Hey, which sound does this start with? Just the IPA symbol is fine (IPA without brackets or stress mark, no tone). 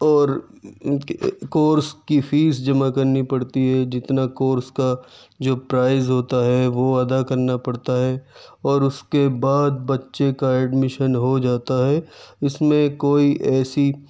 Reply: ɔː